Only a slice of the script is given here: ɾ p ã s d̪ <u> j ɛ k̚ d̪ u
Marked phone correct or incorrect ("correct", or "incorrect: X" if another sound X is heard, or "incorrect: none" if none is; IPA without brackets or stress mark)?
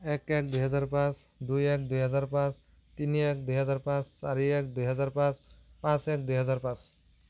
correct